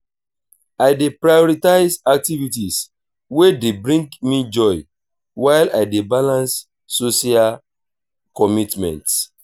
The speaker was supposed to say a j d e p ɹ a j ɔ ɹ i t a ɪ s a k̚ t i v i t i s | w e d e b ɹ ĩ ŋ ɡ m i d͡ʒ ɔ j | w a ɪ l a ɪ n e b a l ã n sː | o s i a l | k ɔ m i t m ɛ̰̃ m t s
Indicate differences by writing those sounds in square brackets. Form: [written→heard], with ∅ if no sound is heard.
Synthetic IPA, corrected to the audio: a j d e p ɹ a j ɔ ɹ i t a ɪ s a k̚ t i v i t i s | w e d e b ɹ ĩ ŋ ɡ m i d͡ʒ ɔ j | w a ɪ l a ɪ [n→d] e b a l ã n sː | o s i a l | k ɔ m i t m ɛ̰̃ [m→n] t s